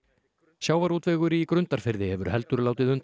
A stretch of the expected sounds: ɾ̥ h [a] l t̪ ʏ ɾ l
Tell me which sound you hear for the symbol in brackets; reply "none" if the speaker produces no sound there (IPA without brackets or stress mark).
ɛ